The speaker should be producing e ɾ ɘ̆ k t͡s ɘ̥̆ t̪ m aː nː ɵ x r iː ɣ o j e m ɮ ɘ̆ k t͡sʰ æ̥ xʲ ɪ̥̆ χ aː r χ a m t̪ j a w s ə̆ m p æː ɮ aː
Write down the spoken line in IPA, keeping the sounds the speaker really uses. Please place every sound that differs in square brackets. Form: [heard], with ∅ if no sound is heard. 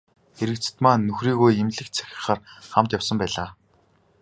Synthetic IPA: e ɾ ɘ̆ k t͡s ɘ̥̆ t̪ m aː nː ɵ x r iː ɣ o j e m ɮ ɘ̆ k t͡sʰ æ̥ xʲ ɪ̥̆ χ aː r χ a m t̪ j a w s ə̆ m p æː ɮ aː